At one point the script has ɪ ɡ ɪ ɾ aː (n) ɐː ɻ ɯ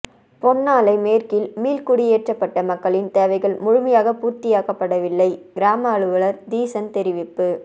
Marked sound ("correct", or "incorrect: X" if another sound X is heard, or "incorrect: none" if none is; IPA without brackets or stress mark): incorrect: m